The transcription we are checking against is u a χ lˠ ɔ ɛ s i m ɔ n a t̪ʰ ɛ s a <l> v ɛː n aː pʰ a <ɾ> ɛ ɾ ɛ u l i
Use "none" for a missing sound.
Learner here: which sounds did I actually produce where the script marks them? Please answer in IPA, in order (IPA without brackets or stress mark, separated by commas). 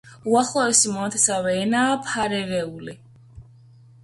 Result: none, ɾ